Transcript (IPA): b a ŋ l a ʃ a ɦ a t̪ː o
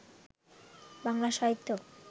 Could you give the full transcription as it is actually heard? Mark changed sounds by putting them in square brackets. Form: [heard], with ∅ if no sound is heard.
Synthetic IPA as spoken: b a ŋ l a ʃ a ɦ [i] t̪ː o